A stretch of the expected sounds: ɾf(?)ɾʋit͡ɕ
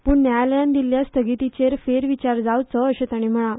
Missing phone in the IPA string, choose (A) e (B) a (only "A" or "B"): A